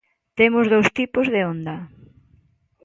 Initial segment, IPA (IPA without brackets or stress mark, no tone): t̪